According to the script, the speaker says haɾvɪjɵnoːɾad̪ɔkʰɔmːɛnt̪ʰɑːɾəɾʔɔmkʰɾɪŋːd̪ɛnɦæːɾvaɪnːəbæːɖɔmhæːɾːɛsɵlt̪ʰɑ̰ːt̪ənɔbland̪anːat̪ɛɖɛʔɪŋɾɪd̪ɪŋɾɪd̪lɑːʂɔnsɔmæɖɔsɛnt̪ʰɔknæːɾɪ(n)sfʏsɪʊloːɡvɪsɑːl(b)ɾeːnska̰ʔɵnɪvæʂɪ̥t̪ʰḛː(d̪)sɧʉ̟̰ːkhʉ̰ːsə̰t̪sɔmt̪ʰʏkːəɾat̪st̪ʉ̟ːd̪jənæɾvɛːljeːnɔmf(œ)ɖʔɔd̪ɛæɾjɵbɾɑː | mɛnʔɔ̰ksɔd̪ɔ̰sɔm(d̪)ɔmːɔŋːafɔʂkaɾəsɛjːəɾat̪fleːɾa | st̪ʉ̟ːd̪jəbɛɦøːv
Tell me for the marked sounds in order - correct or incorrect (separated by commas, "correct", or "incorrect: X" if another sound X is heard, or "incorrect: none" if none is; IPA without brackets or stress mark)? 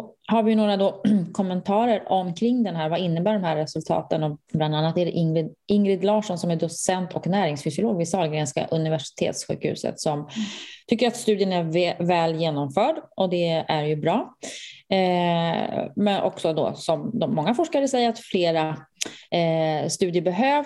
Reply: incorrect: ŋ, incorrect: ɡ, incorrect: t̪, incorrect: œː, correct